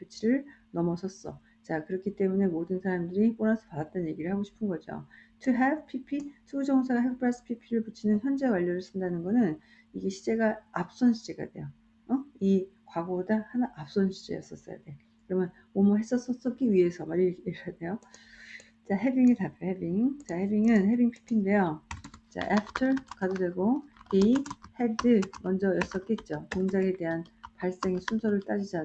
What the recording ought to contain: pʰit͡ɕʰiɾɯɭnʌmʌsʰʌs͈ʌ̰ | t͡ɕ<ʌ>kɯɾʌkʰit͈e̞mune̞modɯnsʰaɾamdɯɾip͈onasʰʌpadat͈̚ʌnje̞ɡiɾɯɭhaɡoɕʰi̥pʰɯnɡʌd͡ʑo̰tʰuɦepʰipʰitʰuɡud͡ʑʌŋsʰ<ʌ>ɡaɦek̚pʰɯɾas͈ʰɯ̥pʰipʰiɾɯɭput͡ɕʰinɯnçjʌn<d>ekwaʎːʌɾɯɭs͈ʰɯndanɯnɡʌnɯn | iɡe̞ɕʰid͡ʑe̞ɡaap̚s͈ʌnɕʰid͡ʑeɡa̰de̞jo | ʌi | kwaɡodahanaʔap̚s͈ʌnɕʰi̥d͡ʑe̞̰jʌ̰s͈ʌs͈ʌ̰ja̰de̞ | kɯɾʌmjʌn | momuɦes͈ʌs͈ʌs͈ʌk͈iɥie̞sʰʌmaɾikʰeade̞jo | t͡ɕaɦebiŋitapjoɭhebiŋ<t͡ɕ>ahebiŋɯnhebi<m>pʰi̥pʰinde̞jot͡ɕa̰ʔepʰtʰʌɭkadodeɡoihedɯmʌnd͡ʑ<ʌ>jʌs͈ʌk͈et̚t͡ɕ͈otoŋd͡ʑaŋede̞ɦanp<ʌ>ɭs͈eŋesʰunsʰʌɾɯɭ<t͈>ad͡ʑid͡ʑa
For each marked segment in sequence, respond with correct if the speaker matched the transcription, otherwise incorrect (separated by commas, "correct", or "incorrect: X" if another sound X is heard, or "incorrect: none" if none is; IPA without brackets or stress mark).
incorrect: a, incorrect: a, incorrect: d͡ʑ, correct, incorrect: ŋ, correct, incorrect: a, correct